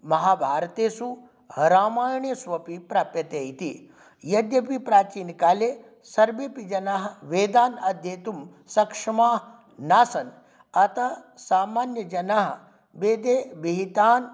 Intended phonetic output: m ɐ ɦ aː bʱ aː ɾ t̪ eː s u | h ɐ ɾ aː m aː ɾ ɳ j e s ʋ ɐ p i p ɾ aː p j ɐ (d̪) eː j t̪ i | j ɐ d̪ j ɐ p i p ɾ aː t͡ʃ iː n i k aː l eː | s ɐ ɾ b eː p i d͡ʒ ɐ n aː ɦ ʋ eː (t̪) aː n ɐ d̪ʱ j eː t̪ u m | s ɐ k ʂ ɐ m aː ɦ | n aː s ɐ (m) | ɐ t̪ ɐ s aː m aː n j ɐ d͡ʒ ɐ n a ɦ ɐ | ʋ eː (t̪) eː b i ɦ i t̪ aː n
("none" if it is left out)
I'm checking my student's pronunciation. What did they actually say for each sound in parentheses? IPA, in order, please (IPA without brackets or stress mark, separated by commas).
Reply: t̪, d̪, n, d̪